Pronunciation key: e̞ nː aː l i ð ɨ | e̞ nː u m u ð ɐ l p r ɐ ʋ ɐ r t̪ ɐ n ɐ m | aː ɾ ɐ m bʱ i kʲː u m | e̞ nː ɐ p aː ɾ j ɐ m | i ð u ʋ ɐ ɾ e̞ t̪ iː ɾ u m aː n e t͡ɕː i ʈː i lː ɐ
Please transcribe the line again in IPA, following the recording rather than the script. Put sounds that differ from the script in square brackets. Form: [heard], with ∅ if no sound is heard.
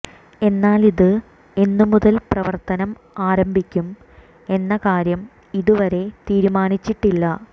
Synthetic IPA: e̞ nː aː l i ð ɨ | e̞ nː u m u ð ɐ l p r ɐ ʋ ɐ r t̪ ɐ n ɐ m | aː ɾ ɐ m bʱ i kʲː u m | e̞ nː ɐ [k] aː ɾ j ɐ m | i ð u ʋ ɐ ɾ e̞ t̪ iː ɾ u m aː n [i] t͡ɕː i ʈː i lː ɐ